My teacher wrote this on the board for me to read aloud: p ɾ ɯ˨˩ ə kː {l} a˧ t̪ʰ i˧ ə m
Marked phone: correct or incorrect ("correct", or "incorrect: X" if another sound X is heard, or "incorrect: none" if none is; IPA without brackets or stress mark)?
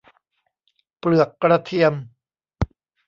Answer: incorrect: ɾ